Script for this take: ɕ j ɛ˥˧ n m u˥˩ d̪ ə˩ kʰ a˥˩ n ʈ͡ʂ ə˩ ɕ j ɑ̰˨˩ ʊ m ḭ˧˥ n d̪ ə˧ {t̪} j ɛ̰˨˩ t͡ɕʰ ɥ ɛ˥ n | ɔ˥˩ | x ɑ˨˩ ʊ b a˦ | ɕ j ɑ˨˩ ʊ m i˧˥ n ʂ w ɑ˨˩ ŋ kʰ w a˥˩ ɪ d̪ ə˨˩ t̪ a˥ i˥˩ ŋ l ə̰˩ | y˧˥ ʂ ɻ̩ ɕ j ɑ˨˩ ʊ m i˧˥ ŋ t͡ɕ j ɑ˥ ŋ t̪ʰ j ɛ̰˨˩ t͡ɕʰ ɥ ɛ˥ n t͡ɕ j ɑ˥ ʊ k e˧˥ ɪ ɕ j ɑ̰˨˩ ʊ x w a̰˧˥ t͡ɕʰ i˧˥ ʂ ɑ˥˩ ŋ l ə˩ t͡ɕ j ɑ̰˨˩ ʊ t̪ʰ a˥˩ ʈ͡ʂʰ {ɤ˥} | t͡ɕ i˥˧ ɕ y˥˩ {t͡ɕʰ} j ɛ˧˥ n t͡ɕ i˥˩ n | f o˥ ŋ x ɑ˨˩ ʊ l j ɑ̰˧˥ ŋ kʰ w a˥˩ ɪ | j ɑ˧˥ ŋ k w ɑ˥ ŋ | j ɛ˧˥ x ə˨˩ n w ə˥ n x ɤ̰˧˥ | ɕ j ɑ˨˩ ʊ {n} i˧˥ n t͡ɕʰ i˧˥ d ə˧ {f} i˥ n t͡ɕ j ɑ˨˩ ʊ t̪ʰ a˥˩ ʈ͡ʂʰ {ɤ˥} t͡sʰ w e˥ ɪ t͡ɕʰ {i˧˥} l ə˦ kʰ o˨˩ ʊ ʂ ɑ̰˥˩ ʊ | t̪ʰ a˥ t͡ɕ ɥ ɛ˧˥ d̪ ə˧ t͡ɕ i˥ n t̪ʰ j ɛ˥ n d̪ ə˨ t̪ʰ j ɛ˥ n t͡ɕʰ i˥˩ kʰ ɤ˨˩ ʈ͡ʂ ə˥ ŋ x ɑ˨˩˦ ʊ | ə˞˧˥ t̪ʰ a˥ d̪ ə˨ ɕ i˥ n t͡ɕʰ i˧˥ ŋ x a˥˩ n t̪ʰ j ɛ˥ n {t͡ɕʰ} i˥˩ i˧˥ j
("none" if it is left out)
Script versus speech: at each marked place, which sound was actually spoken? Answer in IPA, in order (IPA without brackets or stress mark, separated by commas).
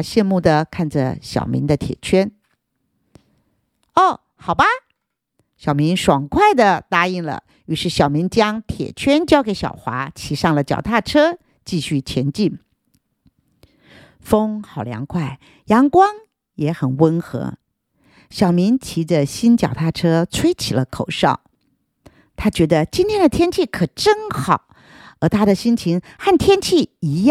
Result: t̪ʰ, ɤ˥, t͡ɕʰ, m, ɕ, ɤ˥, i˨˩, t͡ɕʰ